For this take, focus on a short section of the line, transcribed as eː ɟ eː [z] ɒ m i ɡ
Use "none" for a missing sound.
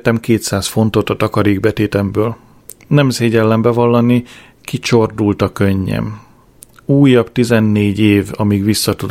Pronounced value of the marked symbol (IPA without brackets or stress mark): v